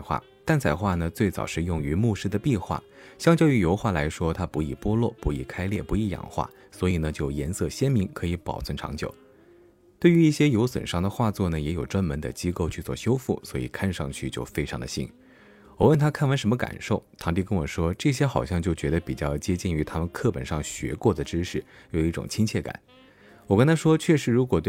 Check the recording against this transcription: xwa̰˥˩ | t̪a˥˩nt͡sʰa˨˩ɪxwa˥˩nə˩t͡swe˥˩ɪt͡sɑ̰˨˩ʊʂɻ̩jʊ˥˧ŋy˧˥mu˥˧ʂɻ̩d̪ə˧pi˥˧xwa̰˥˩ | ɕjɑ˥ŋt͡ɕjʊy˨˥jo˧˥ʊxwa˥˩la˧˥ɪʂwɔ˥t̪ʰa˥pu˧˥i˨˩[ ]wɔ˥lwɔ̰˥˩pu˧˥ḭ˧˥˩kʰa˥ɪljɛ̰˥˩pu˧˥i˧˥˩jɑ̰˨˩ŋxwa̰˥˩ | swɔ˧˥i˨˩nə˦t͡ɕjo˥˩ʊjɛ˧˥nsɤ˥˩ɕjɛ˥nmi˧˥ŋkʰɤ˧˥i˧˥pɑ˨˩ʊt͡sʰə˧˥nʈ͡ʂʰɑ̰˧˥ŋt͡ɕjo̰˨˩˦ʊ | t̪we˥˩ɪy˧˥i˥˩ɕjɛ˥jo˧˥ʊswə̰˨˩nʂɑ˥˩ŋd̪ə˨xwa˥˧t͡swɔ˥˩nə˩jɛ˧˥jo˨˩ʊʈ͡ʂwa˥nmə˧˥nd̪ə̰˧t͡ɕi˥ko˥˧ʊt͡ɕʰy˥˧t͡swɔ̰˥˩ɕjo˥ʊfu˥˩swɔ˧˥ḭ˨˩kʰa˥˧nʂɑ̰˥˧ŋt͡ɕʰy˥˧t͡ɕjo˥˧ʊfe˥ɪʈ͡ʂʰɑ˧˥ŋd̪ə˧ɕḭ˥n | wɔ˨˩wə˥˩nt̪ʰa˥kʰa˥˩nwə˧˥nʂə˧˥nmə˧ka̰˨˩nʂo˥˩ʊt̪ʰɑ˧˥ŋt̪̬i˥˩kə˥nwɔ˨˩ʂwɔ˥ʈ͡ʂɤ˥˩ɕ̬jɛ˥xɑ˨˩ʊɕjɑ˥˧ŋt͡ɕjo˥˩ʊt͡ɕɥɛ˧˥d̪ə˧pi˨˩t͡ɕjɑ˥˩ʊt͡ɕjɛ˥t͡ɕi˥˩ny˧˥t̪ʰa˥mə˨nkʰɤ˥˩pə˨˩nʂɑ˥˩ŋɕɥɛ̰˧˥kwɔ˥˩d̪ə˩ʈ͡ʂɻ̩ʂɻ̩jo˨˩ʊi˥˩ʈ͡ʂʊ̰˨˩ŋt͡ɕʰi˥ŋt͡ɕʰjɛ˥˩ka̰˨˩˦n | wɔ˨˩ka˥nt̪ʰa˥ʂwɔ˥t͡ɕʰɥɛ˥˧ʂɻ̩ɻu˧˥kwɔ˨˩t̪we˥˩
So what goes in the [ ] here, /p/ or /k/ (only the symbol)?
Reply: p